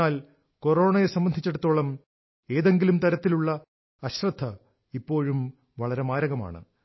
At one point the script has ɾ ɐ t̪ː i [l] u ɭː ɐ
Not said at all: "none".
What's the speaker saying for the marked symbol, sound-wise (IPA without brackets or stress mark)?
l